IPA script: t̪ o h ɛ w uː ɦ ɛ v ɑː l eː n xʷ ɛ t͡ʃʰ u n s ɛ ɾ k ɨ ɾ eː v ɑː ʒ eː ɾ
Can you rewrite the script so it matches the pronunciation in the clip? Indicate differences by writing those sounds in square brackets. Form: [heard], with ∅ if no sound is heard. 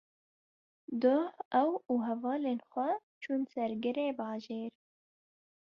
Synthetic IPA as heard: [d̪] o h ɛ w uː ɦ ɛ v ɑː l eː n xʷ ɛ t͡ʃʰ u n s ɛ ɾ [ɡ] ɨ ɾ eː [b] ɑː ʒ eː ɾ